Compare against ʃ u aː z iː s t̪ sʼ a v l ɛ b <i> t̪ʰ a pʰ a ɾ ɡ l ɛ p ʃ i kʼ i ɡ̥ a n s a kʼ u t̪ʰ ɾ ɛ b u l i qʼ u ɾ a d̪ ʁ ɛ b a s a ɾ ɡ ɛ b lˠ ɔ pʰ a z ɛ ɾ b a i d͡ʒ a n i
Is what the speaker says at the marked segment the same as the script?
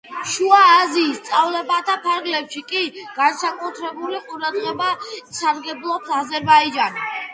no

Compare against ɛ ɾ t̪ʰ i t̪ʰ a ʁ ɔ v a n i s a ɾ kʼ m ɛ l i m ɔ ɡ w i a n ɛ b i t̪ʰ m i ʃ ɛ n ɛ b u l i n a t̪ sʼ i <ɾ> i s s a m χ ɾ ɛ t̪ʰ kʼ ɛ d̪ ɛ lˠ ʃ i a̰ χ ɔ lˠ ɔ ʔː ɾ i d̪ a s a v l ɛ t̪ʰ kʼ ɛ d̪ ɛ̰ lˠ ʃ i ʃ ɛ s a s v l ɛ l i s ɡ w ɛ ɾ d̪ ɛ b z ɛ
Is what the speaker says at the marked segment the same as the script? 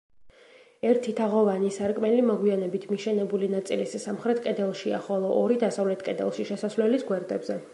no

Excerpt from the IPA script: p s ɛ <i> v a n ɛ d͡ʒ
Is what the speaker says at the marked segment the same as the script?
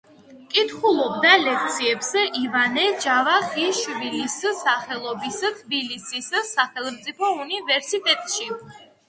yes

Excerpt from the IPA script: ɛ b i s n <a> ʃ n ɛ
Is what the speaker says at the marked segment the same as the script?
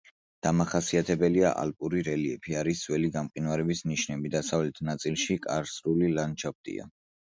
no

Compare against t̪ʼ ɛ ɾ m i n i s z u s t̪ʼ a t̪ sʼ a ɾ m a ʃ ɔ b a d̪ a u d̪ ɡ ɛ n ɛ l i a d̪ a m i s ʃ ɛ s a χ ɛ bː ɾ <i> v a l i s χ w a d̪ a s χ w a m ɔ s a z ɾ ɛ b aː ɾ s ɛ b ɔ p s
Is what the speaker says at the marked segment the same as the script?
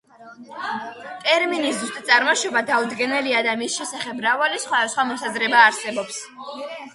no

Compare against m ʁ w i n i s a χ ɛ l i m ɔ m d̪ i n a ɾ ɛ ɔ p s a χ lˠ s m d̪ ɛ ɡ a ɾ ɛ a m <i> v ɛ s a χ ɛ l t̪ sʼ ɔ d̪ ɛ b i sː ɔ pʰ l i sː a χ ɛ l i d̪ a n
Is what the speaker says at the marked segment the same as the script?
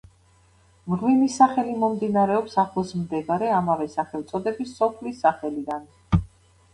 no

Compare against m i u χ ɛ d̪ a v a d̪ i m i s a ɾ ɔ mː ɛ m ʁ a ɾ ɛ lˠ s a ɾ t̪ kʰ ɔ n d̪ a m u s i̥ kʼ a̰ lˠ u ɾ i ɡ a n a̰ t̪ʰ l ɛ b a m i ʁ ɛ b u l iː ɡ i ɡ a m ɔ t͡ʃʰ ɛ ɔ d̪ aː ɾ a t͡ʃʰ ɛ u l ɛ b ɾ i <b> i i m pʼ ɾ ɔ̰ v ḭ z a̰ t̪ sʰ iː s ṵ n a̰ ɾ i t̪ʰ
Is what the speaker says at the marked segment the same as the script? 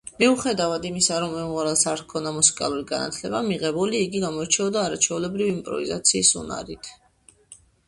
no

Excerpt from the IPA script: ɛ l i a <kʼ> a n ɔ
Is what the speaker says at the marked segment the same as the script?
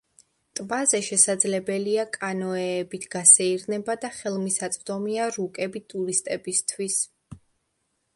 yes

